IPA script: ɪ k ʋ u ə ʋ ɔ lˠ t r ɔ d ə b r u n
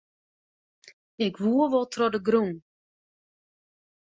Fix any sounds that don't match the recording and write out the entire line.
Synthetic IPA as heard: ɪ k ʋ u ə ʋ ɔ lˠ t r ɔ d ə ɡ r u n